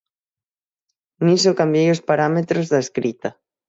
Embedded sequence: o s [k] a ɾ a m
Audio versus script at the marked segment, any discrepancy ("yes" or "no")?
yes